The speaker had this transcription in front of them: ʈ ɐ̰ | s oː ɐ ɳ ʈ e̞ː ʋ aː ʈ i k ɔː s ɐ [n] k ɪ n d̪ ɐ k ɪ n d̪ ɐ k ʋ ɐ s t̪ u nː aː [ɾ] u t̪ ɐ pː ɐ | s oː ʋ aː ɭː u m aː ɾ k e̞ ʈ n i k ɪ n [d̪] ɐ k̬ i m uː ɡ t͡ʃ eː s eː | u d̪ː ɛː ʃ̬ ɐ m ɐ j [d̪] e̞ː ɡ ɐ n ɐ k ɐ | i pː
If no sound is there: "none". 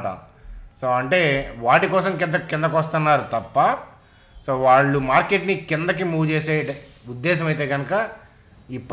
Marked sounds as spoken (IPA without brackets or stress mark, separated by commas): m, ɾ, d̪, t̪